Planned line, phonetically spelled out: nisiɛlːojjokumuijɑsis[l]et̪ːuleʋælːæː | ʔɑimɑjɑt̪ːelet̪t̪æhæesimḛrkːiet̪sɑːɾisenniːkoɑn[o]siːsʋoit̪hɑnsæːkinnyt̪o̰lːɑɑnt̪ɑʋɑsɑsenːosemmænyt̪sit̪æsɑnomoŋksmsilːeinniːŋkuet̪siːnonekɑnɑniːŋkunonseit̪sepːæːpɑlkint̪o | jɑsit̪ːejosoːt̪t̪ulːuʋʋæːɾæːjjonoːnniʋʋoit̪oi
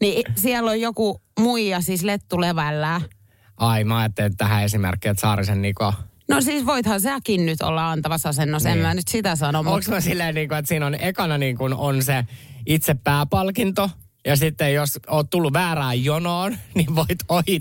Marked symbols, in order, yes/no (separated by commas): yes, yes